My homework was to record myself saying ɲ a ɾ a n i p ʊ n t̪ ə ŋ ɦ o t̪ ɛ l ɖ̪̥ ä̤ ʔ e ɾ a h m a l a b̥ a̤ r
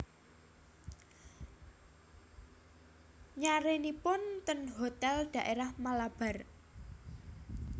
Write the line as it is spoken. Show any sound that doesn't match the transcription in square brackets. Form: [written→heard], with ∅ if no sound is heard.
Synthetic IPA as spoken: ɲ a ɾ [a→e] n i p ʊ n t̪ ə [ŋ→n] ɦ o t̪ ɛ l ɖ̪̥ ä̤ ʔ e ɾ a h m a l a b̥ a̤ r